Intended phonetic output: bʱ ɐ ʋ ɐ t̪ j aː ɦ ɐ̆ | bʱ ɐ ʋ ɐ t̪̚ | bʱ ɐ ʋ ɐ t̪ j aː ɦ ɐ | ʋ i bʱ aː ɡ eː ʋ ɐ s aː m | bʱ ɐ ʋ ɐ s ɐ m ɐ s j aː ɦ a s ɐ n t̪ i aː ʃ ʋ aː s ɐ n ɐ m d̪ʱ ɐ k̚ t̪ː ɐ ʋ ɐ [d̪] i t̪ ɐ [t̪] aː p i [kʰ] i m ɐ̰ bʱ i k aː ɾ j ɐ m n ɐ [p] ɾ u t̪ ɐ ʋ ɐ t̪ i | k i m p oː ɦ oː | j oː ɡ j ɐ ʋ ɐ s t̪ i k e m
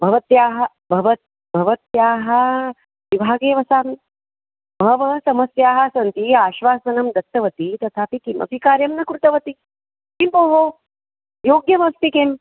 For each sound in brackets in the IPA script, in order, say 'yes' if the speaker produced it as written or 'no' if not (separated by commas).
no, no, no, no